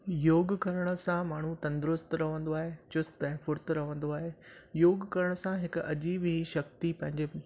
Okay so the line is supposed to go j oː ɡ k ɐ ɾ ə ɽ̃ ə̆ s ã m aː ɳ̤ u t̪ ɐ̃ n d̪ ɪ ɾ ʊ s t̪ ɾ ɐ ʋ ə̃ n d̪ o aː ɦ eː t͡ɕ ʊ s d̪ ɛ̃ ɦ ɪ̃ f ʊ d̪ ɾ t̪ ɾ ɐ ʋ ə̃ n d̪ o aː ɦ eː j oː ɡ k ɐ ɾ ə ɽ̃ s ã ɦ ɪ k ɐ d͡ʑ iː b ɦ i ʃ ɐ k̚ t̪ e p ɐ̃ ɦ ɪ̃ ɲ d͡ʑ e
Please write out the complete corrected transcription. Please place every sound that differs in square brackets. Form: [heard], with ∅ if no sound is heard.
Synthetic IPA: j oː ɡ k ɐ ɾ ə ɽ̃ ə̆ s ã m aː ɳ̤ u t̪ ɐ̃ n d̪ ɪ ɾ ʊ s t̪ ɾ ɐ ʋ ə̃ n d̪ o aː ɦ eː t͡ɕ ʊ s [t̪] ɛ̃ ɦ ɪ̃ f ʊ [∅] ɾ t̪ ɾ ɐ ʋ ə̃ n d̪ o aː ɦ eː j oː ɡ k ɐ ɾ ə ɽ̃ s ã ɦ ɪ k ɐ d͡ʑ iː b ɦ i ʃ ɐ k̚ t̪ [i] p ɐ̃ ɦ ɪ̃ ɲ d͡ʑ e

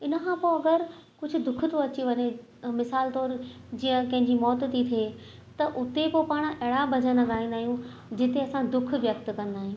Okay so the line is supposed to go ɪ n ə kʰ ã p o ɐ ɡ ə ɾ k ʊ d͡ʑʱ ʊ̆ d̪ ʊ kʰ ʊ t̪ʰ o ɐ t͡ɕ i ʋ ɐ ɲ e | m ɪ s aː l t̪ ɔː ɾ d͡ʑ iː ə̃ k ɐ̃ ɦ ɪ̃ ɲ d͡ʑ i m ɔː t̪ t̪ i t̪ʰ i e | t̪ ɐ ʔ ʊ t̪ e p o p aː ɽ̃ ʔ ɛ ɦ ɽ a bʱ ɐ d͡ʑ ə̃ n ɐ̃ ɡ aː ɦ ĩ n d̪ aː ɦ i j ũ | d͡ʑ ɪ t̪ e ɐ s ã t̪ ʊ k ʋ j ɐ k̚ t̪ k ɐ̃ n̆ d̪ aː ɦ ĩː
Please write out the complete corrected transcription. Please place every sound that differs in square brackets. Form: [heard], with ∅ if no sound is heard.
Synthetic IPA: ɪ n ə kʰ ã p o ɐ ɡ ə ɾ k ʊ d͡ʑʱ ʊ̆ d̪ ʊ kʰ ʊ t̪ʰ o ɐ t͡ɕ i ʋ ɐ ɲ e | m ɪ s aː l t̪ ɔː ɾ d͡ʑ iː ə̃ k ɐ̃ ɦ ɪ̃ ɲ d͡ʑ i m ɔː t̪ t̪ i t̪ʰ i e | t̪ ɐ ʔ ʊ t̪ e p o p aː ɽ̃ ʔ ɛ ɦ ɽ a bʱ ɐ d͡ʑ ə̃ n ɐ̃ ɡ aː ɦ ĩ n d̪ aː ɦ i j ũ | d͡ʑ ɪ t̪ e ɐ s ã [d̪] ʊ [kʰ] ʋ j ɐ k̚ t̪ k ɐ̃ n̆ d̪ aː ɦ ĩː

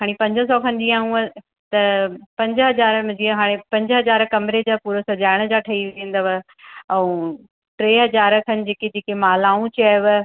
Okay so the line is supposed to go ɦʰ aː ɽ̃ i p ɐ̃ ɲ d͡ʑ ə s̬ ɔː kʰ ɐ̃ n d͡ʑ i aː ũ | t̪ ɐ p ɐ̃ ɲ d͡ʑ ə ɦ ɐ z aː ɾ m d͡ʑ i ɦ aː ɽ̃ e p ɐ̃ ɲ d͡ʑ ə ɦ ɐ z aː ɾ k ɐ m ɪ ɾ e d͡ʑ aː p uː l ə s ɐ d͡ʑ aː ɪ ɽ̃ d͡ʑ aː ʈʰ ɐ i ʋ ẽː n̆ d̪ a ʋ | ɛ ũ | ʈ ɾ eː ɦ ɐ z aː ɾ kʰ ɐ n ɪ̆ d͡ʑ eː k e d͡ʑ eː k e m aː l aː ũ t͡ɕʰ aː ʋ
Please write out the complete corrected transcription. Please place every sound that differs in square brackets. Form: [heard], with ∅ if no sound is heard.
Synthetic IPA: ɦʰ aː ɽ̃ i p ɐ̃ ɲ d͡ʑ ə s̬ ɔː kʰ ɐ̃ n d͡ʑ i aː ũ | t̪ ɐ p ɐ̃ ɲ d͡ʑ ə ɦ ɐ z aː ɾ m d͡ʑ i ɦ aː ɽ̃ e p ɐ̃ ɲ d͡ʑ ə ɦ ɐ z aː ɾ k ɐ m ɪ ɾ e d͡ʑ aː p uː [ɾ] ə s ɐ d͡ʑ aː ɪ ɽ̃ d͡ʑ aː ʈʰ ɐ i ʋ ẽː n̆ d̪ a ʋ | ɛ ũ | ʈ ɾ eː ɦ ɐ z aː ɾ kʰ ɐ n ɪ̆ d͡ʑ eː k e d͡ʑ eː k e m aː l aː ũ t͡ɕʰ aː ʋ

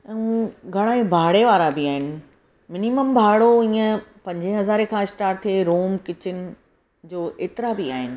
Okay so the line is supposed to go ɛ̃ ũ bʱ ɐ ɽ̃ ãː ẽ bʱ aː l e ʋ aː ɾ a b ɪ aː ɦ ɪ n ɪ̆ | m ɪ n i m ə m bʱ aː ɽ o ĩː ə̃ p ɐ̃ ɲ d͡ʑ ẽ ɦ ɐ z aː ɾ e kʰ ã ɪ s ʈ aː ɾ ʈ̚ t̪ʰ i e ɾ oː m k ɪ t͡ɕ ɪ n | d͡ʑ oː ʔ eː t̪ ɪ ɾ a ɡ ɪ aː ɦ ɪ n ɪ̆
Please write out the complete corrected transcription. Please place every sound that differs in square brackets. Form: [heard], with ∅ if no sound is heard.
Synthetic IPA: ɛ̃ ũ [ɡʱ] ɐ ɽ̃ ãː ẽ bʱ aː [ɽ] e ʋ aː ɾ a b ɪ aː ɦ ɪ n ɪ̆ | m ɪ n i m ə m bʱ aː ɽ o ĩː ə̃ p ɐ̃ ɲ d͡ʑ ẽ ɦ ɐ z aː ɾ e kʰ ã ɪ s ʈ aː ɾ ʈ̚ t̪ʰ i e ɾ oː m k ɪ t͡ɕ ɪ n | d͡ʑ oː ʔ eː t̪ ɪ ɾ a [b] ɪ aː ɦ ɪ n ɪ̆

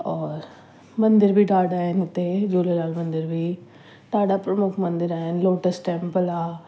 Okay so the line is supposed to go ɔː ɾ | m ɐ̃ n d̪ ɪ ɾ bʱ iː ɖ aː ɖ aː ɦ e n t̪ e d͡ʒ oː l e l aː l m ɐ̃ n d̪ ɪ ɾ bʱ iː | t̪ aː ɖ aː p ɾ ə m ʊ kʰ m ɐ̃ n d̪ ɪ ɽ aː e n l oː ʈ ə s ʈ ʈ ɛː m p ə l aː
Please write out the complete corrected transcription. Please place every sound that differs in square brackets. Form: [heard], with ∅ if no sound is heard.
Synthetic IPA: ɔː ɾ | m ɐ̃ n d̪ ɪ ɾ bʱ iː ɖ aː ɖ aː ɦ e n t̪ e d͡ʒ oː l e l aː l m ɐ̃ n d̪ ɪ ɾ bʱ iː | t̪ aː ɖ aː p ɾ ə m ʊ kʰ m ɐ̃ n d̪ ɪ [ɾ] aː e n l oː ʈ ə s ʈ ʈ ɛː m p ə l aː

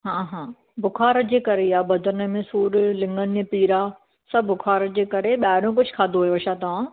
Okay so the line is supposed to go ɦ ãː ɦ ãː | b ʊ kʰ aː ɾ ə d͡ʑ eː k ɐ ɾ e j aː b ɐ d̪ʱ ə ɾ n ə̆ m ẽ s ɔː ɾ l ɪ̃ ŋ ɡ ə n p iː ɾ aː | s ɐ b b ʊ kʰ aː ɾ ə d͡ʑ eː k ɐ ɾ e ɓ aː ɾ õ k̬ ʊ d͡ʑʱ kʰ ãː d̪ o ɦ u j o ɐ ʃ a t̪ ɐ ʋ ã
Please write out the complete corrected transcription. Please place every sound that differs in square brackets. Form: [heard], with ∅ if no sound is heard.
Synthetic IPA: ɦ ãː ɦ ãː | b ʊ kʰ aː ɾ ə d͡ʑ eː k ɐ ɾ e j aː b ɐ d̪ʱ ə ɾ n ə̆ m ẽ s [uː] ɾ l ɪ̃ ŋ ɡ ə n p iː ɾ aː | s ɐ b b ʊ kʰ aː ɾ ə d͡ʑ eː k ɐ ɾ e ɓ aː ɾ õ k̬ ʊ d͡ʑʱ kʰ [aː] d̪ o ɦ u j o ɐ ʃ a t̪ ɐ ʋ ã

